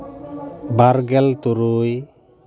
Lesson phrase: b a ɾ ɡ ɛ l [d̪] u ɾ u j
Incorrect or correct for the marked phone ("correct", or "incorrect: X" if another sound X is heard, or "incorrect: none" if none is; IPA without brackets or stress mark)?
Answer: incorrect: t̪